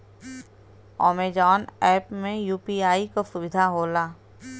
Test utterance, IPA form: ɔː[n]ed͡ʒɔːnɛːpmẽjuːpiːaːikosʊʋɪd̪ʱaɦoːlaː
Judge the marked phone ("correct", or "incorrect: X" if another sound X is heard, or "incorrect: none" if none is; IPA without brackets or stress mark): incorrect: m